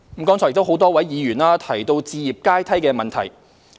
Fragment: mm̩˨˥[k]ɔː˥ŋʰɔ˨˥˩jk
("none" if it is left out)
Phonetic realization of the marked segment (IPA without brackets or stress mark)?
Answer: k